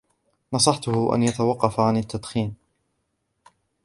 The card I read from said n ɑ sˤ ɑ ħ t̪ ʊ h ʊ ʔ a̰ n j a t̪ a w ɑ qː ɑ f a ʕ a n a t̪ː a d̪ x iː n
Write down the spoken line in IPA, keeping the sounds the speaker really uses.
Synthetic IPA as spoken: n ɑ sˤ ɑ ħ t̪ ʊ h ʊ ʔ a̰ n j a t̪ a w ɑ qː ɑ f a ʕ a n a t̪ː a d̪ x iː n